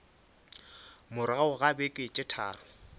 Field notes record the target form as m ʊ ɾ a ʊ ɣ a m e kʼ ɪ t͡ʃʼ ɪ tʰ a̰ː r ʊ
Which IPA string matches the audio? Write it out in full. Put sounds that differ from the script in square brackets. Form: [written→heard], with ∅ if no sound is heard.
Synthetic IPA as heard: m ʊ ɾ a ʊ ɣ a [m→b] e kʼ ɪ t͡ʃʼ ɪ tʰ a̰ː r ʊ